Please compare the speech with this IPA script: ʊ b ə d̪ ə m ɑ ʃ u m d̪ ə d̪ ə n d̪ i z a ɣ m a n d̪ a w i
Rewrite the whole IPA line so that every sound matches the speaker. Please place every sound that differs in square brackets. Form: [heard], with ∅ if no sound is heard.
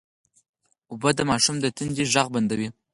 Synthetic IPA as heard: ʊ b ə d̪ ə m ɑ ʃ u m d̪ ə [t̪] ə n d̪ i [ʒ] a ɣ [b] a n d̪ a w i